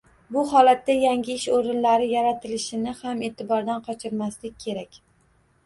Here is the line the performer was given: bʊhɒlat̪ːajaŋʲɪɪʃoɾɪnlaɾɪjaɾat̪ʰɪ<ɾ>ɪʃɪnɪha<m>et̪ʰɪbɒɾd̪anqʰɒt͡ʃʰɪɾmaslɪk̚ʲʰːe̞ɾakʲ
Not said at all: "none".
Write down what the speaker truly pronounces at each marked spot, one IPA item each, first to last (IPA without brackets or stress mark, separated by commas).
l, m